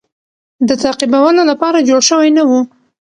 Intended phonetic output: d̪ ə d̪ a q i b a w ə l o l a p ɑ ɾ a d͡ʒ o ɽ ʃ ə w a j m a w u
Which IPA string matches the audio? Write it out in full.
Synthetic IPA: d̪ ə t̪ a q i b a w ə l o l a p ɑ ɾ a d͡ʒ o ɽ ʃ ə w a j n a w u